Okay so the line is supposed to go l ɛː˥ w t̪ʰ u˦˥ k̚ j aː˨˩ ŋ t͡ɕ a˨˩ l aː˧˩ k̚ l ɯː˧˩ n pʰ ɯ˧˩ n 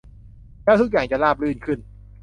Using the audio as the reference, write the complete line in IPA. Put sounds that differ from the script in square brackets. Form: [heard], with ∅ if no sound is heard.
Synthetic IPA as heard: l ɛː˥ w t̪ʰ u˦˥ k̚ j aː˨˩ ŋ t͡ɕ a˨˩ l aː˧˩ [p̚] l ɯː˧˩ n [kʰ] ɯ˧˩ n